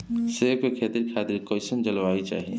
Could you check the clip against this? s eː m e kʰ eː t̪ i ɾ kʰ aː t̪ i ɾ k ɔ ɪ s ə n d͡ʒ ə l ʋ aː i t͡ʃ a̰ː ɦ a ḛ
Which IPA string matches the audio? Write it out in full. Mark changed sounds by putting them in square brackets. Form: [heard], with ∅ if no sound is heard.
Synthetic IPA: s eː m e kʰ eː t̪ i ɾ kʰ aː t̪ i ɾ k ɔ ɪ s ə n d͡ʒ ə l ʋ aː i t͡ʃ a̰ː ɦ [i] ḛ